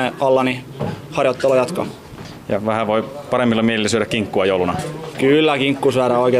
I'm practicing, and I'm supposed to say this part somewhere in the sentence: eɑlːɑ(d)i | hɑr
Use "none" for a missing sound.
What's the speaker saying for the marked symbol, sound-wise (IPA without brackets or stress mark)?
n